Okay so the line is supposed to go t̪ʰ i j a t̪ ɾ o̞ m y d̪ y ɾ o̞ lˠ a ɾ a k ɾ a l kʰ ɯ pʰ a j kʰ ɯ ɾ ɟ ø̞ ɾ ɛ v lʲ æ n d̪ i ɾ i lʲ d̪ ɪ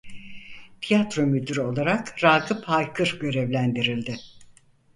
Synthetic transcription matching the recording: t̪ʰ i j a t̪ ɾ o̞ m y d̪ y ɾ o̞ lˠ a ɾ a k ɾ a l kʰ ɯ pʰ a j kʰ ɯ ɾ ɟ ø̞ ɾ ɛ v lʲ æ n d̪ i ɾ i lʲ d̪ ɪ